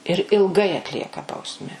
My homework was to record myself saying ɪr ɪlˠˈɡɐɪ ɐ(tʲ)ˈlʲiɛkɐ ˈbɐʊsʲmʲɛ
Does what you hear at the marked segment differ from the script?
no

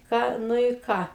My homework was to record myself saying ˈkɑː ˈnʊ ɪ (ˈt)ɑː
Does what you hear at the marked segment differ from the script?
yes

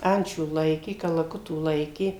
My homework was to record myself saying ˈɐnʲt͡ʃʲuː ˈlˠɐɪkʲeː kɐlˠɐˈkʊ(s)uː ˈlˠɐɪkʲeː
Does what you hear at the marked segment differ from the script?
yes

